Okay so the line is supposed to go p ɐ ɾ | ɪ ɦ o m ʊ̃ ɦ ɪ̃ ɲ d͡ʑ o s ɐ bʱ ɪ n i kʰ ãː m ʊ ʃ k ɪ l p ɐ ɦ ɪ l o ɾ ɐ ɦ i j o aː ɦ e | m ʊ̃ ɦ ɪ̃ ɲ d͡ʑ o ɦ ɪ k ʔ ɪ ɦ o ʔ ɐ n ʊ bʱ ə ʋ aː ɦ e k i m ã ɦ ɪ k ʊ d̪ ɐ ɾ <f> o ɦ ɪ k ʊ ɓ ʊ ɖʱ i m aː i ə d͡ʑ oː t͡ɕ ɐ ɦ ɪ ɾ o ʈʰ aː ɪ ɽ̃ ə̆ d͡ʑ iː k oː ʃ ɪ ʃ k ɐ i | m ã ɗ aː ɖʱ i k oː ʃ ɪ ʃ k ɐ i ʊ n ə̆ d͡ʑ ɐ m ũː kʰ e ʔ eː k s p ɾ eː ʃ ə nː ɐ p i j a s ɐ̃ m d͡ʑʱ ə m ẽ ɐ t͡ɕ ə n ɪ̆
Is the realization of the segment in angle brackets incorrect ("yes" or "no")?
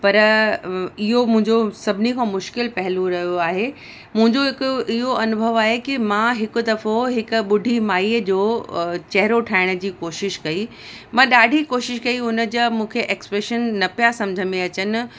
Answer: no